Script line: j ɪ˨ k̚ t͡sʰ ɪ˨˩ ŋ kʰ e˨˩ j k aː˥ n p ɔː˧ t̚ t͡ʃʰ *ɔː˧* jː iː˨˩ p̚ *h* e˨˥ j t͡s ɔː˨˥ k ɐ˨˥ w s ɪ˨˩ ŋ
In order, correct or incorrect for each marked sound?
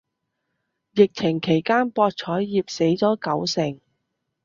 incorrect, incorrect

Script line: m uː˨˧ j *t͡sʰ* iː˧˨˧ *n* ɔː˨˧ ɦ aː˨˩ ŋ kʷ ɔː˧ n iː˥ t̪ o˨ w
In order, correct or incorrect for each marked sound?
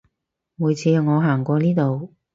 correct, incorrect

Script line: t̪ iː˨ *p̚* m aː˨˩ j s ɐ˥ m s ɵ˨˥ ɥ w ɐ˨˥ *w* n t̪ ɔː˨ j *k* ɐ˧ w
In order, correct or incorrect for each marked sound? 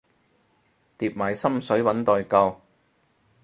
correct, incorrect, correct

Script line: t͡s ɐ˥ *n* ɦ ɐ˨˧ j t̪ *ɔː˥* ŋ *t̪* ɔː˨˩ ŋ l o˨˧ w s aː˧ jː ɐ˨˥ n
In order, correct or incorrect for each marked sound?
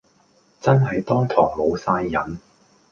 correct, correct, incorrect

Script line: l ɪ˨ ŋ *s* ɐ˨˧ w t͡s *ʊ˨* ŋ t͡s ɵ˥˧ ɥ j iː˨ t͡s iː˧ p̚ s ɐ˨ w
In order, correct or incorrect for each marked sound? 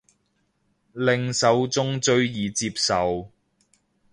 correct, incorrect

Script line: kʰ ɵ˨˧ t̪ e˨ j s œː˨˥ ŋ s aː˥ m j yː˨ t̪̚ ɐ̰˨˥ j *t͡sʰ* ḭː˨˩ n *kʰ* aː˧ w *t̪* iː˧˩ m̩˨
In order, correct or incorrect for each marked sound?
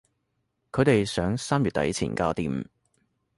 correct, incorrect, correct

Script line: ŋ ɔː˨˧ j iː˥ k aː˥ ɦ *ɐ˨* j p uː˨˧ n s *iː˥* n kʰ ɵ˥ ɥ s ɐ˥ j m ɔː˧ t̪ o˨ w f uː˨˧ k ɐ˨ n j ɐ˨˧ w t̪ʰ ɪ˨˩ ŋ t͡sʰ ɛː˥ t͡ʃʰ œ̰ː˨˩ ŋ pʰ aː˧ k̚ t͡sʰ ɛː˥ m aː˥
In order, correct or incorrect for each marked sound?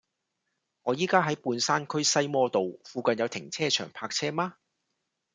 incorrect, incorrect

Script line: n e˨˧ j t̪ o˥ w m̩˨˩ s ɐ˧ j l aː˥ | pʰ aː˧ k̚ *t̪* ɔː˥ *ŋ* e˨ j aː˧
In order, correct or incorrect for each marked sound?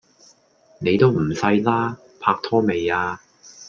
incorrect, incorrect

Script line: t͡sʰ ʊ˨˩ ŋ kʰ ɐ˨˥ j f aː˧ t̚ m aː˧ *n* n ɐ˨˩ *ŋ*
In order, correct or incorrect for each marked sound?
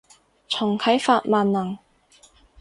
correct, correct

